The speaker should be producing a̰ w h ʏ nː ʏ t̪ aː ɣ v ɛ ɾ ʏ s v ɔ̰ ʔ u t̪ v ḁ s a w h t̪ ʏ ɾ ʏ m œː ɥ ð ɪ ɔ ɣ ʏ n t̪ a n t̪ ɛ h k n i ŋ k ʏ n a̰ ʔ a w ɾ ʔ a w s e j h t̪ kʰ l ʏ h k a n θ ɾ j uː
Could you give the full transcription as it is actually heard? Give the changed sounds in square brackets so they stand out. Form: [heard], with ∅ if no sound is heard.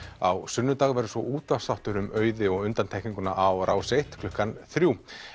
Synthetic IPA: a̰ w [s] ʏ nː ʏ t̪ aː ɣ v ɛ ɾ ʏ s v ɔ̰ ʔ [uː] t̪ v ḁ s a w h t̪ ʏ ɾ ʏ m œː ɥ ð ɪ ɔ ɣ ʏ n t̪ a n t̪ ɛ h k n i ŋ k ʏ n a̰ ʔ a w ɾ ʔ a w s e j h t̪ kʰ l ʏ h k a n θ ɾ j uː